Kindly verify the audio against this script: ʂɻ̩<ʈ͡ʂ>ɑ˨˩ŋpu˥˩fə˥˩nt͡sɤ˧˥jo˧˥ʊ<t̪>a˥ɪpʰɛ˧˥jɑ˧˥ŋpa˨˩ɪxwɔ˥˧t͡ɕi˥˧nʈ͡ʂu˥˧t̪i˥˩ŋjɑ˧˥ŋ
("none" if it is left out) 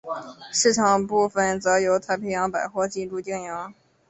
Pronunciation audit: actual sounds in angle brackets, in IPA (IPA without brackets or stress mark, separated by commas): ʈ͡ʂʰ, t̪ʰ